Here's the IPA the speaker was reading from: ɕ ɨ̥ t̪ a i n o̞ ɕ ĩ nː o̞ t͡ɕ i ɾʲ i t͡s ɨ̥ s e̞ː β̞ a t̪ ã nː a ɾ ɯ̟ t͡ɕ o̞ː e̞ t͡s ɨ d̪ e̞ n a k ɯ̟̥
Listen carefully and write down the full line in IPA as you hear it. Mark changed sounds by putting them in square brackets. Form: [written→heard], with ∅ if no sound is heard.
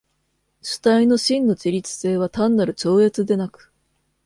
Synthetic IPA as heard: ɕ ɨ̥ t̪ a i n o̞ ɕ ĩ nː o̞ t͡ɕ i ɾʲ i t͡s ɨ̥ s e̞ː β̞ a t̪ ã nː a ɾ ɯ̟ t͡ɕ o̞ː e̞ t͡s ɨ d̪ e̞ n a k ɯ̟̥